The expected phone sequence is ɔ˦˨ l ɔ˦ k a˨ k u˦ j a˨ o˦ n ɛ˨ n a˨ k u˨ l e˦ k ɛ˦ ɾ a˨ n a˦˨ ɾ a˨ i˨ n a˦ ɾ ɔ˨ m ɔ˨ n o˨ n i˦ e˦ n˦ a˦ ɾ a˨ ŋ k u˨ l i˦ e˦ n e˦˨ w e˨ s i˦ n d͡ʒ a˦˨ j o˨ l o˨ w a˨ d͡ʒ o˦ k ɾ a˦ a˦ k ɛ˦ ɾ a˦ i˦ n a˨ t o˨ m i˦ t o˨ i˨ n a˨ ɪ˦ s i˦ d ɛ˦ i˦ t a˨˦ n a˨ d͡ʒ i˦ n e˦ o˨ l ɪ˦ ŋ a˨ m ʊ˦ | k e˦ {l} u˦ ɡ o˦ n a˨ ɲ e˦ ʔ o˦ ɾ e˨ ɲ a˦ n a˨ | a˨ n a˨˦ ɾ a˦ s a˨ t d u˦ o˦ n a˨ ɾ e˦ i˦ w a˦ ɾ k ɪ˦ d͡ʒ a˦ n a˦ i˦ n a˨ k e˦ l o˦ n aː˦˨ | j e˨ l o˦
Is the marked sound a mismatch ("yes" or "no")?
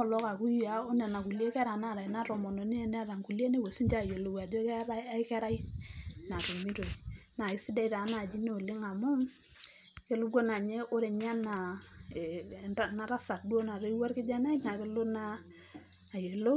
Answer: no